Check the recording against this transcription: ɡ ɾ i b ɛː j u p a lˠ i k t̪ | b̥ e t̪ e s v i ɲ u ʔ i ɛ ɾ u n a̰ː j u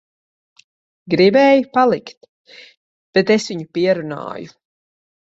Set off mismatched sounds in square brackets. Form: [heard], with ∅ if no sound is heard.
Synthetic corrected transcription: ɡ ɾ i b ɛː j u p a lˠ i k t̪ | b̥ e t̪ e s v i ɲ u [p] i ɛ ɾ u n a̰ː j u